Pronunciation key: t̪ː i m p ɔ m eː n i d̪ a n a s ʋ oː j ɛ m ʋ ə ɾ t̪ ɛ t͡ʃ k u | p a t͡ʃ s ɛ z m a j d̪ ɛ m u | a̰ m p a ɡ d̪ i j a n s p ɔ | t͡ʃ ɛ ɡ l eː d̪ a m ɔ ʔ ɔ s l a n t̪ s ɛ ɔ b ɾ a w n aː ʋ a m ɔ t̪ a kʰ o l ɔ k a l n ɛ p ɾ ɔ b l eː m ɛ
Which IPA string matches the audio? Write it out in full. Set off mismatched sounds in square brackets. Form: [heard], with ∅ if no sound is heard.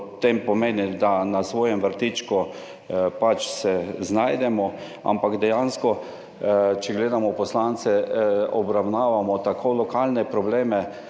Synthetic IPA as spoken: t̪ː [e] m p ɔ m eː n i d̪ a n a s ʋ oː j ɛ m ʋ ə ɾ t̪ [i] t͡ʃ k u | p a t͡ʃ s ɛ z [n] a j d̪ ɛ m [ɔ] | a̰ m p a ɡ d̪ [ɛ] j a n s [k] ɔ | t͡ʃ ɛ ɡ l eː d̪ a m ɔ [p] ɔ s l a n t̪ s ɛ ɔ b ɾ a w n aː ʋ a m ɔ t̪ a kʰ o l ɔ k a l n ɛ p ɾ ɔ b l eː m ɛ